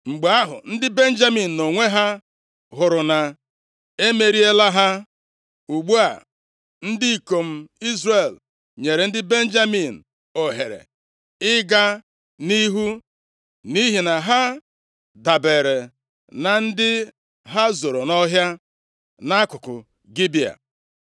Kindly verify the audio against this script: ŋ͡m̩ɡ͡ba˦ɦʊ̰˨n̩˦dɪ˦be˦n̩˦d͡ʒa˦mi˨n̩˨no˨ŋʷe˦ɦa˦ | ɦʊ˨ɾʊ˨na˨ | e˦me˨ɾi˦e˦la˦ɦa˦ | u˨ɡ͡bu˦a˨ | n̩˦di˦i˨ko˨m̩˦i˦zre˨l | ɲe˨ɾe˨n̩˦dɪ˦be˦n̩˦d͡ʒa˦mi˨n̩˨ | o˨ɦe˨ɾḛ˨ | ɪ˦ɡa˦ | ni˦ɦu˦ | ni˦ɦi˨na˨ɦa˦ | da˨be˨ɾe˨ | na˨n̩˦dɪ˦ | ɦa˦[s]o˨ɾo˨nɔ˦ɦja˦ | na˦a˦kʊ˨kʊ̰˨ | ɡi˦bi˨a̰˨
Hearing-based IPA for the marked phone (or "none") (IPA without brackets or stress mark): z